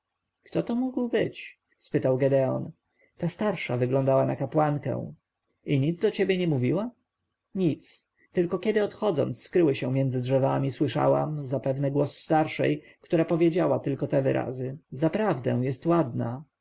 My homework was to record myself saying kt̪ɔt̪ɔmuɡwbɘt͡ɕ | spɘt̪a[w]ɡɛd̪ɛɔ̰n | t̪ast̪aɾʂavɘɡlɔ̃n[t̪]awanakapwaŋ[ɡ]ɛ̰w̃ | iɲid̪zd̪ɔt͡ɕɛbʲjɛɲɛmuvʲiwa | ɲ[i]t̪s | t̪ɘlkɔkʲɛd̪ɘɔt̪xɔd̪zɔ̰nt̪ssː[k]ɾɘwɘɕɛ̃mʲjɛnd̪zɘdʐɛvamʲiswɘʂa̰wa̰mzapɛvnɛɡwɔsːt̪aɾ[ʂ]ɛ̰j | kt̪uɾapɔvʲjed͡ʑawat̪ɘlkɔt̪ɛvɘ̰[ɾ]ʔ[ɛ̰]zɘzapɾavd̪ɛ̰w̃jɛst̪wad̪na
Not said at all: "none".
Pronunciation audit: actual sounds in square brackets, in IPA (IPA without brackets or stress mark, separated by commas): w, d̪, k, i, k, ʂ, ɾ, a̰